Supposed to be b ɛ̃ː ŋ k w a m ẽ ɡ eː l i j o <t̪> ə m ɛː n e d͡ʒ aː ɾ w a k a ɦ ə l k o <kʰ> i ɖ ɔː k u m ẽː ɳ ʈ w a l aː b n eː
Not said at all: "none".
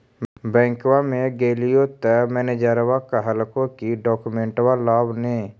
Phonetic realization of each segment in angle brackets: t̪, k

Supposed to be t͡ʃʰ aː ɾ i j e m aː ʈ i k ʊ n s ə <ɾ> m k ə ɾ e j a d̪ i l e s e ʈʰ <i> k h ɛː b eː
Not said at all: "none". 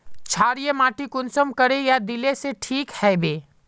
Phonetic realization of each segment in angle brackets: none, iː

